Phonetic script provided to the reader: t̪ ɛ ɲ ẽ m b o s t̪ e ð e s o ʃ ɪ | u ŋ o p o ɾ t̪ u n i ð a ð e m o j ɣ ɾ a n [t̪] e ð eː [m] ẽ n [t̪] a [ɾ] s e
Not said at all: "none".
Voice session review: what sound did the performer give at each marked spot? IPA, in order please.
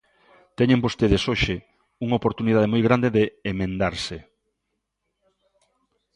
d̪, m, d̪, ɾ

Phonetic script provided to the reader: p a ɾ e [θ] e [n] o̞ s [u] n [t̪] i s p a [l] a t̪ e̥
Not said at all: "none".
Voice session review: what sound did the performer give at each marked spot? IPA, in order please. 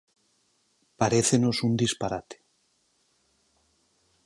θ, n, u, d̪, ɾ

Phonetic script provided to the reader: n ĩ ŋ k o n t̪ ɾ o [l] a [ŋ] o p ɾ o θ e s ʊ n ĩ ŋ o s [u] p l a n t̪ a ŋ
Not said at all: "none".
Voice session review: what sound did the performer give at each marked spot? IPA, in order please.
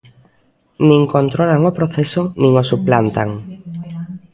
l, ŋ, u

